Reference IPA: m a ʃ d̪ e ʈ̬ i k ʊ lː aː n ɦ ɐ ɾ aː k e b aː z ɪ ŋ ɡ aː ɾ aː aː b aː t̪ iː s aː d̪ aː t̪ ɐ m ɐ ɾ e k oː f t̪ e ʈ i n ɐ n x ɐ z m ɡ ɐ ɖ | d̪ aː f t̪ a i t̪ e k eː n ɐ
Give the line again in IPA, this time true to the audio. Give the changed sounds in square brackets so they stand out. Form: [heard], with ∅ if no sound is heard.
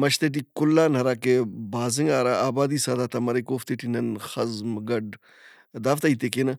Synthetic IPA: m [ɐ] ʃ [t̪] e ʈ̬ i k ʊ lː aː n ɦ ɐ ɾ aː k e b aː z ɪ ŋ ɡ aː ɾ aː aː b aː [d̪] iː s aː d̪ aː t̪ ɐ m ɐ ɾ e k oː f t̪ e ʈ i n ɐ n x ɐ z m ɡ ɐ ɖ | d̪ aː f t̪ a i t̪ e k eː n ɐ